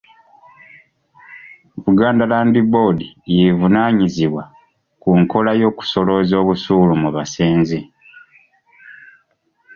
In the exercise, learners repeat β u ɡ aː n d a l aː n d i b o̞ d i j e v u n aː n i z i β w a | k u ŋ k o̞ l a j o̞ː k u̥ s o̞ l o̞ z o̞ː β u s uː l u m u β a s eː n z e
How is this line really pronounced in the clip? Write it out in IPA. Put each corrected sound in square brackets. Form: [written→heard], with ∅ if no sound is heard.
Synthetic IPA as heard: β u ɡ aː n d a l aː n d i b o̞ d i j e v u n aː [n→ɲ] i z i β w a | k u ŋ k o̞ l a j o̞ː k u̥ s o̞ l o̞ z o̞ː β u s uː l u m u β a s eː n z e